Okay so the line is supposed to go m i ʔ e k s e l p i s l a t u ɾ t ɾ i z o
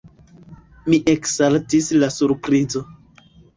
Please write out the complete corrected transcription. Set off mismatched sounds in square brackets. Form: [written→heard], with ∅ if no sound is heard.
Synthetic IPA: m i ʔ e k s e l [p→t] i s l a [t→s] u ɾ [t→p] ɾ i z o